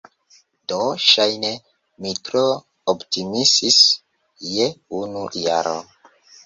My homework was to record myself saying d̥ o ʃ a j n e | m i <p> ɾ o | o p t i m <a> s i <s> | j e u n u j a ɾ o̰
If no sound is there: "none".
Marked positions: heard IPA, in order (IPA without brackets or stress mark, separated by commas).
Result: t, i, s